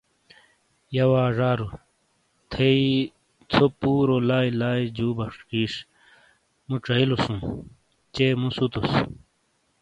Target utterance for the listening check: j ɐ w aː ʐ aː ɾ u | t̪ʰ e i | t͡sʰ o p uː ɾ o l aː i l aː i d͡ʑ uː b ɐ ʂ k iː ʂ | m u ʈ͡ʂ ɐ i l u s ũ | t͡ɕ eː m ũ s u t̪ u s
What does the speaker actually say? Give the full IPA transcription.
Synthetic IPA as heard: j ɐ w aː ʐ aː ɾ u | t̪ʰ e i | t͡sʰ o p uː ɾ o l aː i l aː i d͡ʑ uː b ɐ ʂ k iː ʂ | m u ʈ͡ʂ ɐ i l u s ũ | t͡ɕ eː m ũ s u t̪ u s